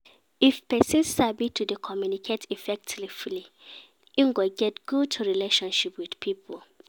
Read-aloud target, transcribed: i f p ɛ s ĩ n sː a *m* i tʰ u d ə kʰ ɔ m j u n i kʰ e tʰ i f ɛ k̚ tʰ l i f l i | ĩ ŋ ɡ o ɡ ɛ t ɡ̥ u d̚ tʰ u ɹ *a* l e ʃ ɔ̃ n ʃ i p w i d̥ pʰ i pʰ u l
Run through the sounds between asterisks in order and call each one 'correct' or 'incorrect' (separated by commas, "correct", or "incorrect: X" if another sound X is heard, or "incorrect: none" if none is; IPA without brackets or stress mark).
incorrect: b, incorrect: i